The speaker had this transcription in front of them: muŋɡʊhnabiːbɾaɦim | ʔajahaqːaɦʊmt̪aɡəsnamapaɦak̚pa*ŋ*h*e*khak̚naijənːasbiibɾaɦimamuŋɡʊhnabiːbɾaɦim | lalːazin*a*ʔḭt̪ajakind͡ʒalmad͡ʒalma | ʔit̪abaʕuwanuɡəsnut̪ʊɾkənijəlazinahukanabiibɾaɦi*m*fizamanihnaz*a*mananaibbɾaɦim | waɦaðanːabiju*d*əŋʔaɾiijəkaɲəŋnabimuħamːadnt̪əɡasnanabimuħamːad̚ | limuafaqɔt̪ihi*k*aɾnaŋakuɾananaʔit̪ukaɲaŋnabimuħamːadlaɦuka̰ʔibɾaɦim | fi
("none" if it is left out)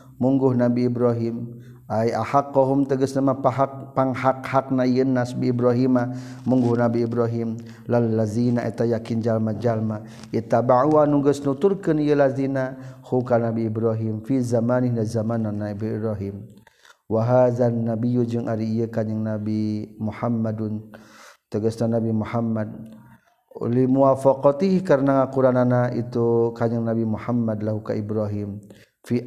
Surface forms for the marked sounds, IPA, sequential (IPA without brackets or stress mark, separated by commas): ŋ, a, a, m, a, d͡ʒ, k